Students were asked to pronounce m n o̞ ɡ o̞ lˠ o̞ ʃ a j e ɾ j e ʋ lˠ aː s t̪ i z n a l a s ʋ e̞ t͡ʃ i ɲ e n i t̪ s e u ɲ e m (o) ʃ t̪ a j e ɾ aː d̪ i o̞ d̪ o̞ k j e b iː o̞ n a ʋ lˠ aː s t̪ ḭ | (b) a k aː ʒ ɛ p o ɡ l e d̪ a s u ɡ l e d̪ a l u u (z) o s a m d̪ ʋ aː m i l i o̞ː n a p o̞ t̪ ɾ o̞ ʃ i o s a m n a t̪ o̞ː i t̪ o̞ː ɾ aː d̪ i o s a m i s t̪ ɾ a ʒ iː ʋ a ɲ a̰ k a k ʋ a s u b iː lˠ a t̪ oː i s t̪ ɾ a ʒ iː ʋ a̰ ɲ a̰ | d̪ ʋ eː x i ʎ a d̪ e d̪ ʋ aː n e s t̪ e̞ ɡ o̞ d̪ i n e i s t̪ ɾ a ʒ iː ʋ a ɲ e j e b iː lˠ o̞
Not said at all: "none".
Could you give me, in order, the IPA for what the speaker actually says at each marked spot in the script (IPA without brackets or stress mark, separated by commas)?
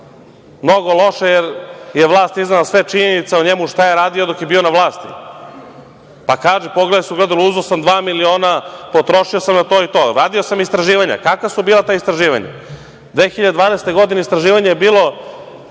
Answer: u, p, z